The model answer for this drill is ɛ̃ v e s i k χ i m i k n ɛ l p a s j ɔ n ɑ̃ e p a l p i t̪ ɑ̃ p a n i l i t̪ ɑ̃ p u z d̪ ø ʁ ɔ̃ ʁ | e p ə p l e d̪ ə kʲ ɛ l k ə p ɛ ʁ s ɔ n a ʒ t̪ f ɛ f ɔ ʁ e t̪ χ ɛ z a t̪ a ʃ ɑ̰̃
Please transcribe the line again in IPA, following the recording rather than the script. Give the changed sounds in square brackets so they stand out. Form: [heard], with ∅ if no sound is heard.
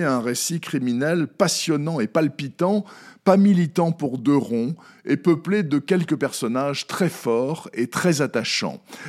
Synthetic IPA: ɛ̃ [ʁ] e s i k χ i m i [∅] n ɛ l p a s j ɔ n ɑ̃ e p a l p i t̪ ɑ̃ p a [m] i l i t̪ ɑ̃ p u [ʁ] d̪ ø ʁ ɔ̃ [∅] | e p ə p l e d̪ ə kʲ ɛ l k ə p ɛ ʁ s ɔ n a ʒ t̪ [χ] ɛ f ɔ ʁ e t̪ χ ɛ z a t̪ a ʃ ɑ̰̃